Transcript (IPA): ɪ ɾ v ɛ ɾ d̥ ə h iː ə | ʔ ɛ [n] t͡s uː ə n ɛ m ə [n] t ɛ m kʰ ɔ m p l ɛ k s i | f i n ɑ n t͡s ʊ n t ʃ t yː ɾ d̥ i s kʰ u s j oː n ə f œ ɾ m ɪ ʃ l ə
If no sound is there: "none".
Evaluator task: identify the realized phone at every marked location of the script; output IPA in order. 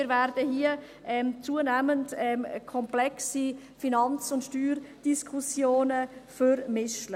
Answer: m, n

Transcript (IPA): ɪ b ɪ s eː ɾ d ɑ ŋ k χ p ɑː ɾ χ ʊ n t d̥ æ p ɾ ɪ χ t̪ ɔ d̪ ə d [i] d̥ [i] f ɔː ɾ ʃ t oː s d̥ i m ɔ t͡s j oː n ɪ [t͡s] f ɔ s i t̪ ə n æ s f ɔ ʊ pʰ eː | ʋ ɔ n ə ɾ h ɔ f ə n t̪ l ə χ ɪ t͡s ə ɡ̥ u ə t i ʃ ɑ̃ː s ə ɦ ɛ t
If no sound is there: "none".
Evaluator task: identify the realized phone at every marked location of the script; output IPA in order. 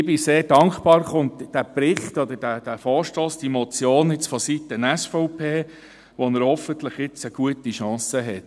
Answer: æ, æ, t͡s

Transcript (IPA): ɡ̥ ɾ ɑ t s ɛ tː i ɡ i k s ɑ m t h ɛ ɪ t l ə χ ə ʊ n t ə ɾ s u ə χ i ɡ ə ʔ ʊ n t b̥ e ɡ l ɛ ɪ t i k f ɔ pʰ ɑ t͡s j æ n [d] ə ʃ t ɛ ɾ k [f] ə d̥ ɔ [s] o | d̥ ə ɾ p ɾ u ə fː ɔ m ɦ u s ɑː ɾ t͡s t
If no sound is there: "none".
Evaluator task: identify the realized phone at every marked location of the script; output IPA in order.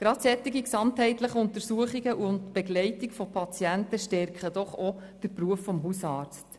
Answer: t, χ, χ

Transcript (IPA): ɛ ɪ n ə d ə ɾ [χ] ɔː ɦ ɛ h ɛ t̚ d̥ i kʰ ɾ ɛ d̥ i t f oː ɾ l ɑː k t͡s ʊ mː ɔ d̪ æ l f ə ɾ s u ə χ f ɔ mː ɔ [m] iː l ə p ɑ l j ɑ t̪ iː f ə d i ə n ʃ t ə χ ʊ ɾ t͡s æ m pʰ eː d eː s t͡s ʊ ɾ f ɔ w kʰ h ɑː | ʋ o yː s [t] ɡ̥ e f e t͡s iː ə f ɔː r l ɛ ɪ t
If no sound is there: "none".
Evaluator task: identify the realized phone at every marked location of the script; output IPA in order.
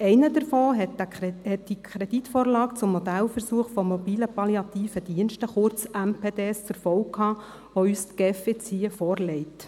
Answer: f, b, t

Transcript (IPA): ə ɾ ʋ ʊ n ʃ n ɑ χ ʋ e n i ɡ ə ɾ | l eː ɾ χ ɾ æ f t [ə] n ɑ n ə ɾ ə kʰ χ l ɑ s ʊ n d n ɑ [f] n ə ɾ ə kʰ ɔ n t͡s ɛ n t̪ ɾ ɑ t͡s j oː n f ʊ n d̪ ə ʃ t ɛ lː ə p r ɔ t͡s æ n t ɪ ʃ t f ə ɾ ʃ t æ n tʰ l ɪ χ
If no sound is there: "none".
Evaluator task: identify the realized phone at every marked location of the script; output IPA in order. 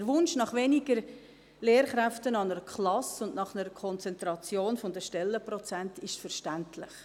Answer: ə, χ

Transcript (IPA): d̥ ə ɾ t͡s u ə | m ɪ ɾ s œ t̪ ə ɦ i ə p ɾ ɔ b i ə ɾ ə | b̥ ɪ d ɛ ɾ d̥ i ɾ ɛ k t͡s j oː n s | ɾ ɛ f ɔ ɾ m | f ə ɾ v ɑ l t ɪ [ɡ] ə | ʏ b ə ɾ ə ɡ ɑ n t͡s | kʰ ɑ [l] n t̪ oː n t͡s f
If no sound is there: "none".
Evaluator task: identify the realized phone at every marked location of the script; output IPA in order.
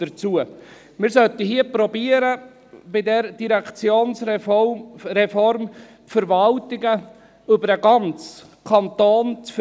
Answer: ɡ, none

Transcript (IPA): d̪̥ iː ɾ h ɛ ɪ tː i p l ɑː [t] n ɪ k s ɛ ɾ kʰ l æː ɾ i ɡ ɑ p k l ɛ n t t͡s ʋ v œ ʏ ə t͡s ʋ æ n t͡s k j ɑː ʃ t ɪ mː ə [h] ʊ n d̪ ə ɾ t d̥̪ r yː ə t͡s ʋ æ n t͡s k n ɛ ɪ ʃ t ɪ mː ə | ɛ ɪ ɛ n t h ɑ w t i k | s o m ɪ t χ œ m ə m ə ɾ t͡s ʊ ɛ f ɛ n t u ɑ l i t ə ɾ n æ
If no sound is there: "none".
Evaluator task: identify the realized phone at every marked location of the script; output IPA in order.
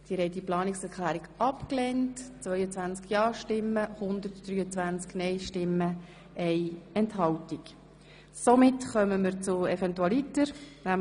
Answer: none, h

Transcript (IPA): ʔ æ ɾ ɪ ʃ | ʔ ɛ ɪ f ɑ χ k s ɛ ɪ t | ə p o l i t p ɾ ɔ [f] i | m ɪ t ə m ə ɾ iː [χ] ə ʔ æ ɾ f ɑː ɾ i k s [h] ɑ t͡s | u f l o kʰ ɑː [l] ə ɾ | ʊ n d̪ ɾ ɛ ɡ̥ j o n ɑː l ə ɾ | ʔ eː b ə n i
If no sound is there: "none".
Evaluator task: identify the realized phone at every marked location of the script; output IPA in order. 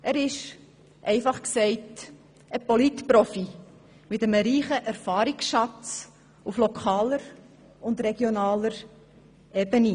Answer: f, χ, ʃ, l

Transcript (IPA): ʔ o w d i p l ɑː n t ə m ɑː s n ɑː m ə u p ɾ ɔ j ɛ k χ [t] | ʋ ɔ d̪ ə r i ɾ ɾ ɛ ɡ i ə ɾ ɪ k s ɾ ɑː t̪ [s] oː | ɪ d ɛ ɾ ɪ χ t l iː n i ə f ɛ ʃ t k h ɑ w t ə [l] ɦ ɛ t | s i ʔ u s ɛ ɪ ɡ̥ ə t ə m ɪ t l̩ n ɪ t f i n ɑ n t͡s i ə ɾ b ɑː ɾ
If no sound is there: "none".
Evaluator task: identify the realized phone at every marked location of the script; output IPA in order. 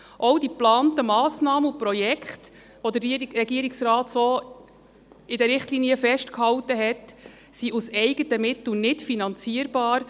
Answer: t, s, none

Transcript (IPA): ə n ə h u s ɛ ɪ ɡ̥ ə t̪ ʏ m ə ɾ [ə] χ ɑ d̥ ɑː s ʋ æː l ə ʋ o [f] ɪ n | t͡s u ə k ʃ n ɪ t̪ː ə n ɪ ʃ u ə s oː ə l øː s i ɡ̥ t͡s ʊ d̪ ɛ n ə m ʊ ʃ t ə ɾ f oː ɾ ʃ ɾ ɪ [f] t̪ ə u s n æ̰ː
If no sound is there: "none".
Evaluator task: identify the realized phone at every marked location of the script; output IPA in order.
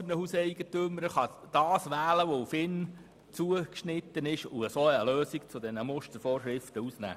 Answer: ə, f, f

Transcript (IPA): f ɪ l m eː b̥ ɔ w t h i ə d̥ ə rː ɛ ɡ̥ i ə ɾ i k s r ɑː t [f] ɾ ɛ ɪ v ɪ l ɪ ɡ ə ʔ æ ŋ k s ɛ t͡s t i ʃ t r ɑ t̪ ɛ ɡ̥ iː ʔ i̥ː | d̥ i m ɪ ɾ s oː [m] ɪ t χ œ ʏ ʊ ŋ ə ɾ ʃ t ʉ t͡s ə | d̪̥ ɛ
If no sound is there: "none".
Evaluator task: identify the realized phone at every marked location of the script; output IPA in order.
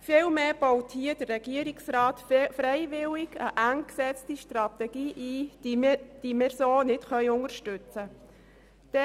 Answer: f, n

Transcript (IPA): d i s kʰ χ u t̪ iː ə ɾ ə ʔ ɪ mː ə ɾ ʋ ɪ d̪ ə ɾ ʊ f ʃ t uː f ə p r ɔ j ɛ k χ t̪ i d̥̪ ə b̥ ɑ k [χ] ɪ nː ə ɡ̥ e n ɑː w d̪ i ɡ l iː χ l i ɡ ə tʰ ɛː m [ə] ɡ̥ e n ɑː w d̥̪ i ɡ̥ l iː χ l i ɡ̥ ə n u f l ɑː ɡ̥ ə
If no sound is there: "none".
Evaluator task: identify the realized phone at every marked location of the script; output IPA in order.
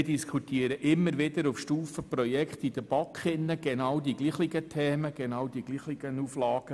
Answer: χ, ə

